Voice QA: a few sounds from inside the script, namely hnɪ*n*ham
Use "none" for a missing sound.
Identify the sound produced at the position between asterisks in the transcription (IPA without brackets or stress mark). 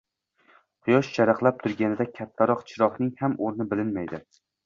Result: ŋ